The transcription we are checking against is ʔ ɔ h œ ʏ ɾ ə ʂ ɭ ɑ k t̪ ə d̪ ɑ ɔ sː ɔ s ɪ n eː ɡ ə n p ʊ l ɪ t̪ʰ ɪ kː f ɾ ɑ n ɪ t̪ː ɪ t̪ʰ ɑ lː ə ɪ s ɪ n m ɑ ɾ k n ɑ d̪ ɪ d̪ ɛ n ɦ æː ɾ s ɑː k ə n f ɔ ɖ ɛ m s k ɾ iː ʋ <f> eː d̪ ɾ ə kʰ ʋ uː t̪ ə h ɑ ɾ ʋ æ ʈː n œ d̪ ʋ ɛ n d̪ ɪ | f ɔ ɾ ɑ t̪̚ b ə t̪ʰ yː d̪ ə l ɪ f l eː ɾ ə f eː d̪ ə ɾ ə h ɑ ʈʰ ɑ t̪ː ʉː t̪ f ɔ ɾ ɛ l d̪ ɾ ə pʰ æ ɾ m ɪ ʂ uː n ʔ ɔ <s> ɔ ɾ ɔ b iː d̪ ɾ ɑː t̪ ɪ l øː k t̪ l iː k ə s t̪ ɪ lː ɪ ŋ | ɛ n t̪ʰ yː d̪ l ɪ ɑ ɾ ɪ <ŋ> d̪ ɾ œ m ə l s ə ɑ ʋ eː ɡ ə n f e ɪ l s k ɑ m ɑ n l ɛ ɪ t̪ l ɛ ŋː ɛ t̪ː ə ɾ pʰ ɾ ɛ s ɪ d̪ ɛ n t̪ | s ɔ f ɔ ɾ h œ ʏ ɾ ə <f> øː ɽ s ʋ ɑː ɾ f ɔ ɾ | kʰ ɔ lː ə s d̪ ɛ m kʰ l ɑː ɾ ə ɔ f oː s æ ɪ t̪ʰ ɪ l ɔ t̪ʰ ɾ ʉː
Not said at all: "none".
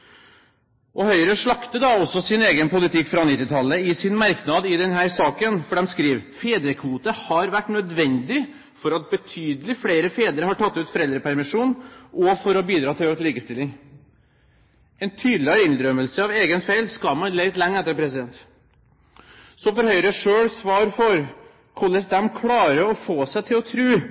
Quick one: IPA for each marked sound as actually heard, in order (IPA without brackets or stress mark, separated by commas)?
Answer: f, f, n, ʂ